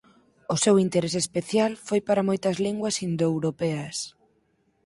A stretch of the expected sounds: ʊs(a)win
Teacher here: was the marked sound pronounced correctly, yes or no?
no